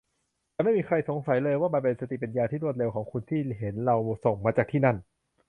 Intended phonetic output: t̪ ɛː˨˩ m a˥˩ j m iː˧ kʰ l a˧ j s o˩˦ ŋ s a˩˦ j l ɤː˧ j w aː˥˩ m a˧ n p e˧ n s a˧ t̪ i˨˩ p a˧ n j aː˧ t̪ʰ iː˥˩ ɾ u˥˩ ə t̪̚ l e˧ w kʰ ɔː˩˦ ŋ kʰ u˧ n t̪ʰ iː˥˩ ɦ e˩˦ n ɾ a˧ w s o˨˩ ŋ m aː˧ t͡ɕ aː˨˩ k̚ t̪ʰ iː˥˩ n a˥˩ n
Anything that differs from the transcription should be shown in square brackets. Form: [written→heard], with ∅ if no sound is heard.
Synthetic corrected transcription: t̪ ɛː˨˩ m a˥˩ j m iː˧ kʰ [l→ɾ] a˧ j s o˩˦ ŋ s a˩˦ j l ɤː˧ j w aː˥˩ m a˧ n p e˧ n s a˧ t̪ i˨˩ p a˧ n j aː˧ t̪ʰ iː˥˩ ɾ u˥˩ ə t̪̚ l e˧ w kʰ ɔː˩˦ ŋ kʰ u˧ n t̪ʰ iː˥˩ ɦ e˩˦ n ɾ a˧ w s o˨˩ ŋ m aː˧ t͡ɕ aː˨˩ k̚ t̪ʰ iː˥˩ n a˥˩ n